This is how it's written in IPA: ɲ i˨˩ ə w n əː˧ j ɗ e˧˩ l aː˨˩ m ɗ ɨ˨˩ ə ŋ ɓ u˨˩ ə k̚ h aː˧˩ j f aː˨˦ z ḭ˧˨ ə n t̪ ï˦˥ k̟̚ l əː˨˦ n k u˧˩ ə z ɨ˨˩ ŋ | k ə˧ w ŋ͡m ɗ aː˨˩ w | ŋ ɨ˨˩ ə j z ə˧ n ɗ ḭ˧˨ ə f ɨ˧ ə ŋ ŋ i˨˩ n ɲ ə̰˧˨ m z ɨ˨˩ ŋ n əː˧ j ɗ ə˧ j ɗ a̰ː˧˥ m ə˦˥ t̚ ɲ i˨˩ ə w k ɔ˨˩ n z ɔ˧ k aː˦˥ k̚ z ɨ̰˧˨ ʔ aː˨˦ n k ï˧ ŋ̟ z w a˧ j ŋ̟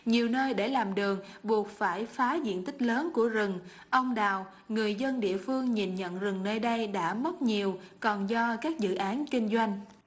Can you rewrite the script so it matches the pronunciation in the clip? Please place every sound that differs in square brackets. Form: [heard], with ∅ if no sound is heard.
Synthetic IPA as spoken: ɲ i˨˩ ə w n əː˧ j ɗ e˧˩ l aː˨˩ m ɗ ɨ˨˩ ə ŋ ɓ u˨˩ ə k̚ [f] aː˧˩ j f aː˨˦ z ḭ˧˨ ə n t̪ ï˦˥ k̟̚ l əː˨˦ n k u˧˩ ə z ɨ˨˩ ŋ | [ʔ] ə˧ w ŋ͡m ɗ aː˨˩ w | ŋ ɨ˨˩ ə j z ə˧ n ɗ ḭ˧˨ ə f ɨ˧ ə ŋ [ɲ] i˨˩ n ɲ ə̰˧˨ [n] z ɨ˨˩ ŋ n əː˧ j ɗ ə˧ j ɗ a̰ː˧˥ m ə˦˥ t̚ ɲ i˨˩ ə w k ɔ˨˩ n z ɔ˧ k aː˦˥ k̚ z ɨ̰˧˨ ʔ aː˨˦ n k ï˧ ŋ̟ z w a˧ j ŋ̟